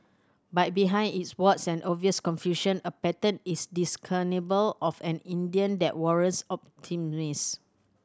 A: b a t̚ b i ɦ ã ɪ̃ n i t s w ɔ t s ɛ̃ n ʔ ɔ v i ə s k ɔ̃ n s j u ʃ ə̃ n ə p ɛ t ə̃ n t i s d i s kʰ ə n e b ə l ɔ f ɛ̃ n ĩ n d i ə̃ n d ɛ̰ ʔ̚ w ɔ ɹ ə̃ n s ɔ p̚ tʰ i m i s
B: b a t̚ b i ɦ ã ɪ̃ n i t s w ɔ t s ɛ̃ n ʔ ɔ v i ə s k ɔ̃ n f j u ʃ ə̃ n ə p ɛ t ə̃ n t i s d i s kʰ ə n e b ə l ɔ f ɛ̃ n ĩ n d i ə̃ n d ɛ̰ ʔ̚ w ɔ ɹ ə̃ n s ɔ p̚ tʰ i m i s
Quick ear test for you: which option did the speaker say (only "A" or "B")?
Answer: B